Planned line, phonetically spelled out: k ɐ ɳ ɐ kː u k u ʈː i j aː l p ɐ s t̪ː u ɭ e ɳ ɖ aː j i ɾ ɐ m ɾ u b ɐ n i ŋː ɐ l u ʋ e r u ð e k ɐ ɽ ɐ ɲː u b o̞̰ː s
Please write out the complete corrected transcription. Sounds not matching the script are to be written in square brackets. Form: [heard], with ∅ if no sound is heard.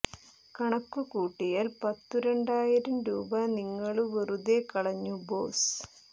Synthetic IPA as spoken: k ɐ ɳ ɐ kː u k [uː] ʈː i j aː l p ɐ [∅] t̪ː u [ɾ] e ɳ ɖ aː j i ɾ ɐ m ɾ [uː] b ɐ n i ŋː ɐ [ɭ] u ʋ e r u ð e k ɐ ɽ ɐ ɲː u b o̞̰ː s